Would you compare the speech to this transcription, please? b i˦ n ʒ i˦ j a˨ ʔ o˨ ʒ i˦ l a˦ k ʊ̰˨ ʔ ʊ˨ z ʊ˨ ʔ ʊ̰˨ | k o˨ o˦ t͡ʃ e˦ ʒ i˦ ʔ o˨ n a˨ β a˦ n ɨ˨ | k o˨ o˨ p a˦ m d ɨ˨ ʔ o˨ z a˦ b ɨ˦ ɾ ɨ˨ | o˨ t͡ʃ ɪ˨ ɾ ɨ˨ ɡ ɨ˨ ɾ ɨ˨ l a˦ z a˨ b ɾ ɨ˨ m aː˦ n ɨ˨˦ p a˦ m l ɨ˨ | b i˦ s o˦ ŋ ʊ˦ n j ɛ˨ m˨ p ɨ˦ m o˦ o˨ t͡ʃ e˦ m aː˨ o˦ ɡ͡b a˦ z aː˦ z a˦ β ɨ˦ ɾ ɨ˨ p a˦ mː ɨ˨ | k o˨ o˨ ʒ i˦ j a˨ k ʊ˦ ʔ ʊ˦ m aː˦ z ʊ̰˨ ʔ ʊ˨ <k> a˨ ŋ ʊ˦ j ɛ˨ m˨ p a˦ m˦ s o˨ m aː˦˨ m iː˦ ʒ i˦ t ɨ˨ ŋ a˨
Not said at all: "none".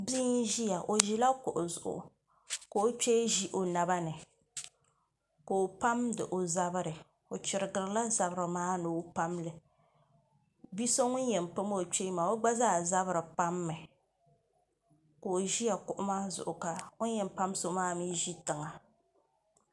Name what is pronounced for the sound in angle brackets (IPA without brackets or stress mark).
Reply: k